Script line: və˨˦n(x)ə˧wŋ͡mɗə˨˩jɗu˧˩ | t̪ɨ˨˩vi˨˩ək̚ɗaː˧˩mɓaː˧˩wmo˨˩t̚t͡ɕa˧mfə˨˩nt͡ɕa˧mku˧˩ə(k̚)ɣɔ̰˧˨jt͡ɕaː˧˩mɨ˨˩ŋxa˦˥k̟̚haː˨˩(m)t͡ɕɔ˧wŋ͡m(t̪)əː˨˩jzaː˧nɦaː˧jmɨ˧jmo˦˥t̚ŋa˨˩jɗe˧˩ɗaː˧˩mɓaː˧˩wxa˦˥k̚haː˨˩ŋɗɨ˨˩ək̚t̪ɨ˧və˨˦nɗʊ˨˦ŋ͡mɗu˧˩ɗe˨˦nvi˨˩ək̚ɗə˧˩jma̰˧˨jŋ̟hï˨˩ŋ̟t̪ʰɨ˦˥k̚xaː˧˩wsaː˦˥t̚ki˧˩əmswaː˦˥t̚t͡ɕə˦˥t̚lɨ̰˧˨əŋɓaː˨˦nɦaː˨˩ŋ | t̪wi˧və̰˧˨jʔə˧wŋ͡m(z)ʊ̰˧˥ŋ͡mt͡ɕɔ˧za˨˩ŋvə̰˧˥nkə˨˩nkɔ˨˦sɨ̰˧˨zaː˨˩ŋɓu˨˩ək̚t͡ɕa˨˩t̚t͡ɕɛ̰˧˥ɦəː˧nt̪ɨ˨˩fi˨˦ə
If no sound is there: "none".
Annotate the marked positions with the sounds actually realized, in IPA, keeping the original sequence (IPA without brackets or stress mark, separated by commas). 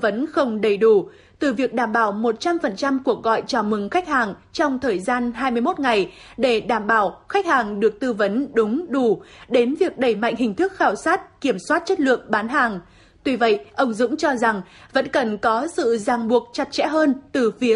x, k̚, ŋ, t̪ʰ, z